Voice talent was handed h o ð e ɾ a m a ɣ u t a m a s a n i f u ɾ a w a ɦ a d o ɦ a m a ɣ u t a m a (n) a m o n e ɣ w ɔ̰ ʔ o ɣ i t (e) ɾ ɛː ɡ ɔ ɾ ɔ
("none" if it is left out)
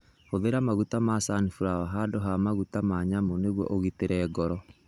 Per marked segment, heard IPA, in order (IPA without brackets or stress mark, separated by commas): ɲ, e